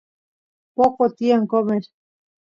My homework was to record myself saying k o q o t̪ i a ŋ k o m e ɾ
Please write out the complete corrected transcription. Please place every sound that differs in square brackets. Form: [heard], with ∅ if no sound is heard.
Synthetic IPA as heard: [p] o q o t̪ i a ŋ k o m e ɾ